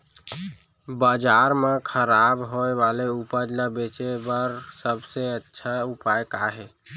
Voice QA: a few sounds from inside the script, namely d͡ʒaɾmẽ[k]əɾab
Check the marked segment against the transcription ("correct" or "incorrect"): incorrect